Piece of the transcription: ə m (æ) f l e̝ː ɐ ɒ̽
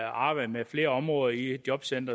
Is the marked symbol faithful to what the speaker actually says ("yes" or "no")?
no